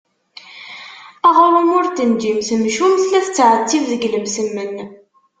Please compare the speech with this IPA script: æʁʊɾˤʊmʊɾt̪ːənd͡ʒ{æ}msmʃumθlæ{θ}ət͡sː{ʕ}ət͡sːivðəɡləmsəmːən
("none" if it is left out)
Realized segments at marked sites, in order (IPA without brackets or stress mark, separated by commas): i, θ, ʕ